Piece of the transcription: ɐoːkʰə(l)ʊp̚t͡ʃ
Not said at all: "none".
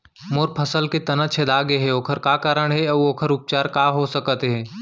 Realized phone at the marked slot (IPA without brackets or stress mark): ɾ